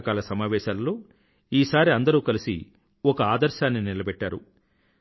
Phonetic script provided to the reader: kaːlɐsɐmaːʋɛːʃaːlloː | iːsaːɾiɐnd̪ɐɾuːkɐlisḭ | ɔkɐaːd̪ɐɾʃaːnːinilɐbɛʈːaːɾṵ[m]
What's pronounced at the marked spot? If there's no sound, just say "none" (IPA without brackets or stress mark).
none